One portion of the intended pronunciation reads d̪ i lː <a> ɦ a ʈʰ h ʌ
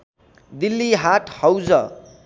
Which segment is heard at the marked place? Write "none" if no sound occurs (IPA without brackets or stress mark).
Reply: i